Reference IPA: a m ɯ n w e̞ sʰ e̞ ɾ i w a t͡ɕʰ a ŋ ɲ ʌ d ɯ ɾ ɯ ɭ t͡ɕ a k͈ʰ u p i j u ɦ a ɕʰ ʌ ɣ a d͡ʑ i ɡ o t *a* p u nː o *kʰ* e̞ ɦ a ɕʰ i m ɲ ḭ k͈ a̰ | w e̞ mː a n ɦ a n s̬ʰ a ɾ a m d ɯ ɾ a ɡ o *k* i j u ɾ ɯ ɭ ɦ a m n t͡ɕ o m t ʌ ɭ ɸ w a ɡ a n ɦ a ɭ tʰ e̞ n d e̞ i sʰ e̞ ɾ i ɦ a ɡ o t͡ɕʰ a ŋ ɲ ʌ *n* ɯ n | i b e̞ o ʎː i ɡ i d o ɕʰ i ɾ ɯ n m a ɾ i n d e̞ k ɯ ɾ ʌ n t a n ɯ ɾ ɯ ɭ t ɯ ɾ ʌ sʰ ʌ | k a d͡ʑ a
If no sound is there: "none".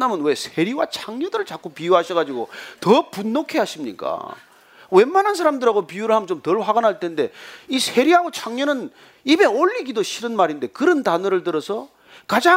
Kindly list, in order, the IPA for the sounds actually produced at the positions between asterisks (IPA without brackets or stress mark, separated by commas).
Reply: ʌ, kʰ, p, n